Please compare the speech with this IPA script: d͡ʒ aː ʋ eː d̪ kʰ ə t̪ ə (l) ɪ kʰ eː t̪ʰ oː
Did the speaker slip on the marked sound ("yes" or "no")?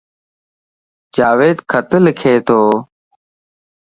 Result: no